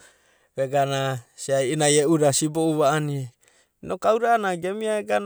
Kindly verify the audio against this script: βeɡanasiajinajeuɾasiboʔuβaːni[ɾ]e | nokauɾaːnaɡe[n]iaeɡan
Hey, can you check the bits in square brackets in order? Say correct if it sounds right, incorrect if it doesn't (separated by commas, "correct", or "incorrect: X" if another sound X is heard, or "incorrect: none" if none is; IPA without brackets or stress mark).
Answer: incorrect: none, incorrect: m